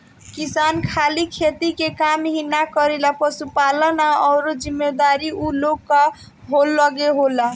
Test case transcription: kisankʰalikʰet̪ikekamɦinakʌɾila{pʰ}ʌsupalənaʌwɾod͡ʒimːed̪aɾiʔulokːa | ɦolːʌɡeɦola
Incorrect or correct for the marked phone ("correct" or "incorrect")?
incorrect